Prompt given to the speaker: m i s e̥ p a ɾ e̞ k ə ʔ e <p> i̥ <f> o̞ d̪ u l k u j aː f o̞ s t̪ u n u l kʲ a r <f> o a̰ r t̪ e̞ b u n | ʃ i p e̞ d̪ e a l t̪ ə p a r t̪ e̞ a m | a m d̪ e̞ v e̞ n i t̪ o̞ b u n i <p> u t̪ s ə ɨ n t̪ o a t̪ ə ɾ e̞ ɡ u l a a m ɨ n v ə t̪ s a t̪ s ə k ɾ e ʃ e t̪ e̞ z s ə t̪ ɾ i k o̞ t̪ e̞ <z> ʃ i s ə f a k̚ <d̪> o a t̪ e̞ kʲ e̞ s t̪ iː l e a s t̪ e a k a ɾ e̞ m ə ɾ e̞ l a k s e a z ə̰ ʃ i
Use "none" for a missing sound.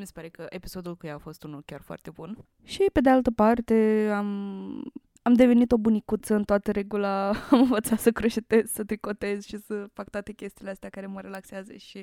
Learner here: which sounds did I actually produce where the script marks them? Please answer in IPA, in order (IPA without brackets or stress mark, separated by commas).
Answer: p, s, f, k, z, t̪